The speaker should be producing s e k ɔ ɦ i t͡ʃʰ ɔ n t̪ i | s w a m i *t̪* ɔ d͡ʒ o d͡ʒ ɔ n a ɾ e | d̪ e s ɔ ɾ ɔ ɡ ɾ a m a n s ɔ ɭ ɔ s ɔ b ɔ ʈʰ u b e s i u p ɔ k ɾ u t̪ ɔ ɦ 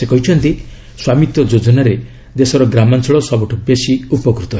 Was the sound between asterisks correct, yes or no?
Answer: yes